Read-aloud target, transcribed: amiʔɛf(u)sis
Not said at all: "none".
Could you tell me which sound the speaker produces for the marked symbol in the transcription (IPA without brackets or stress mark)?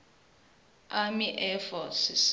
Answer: ɔ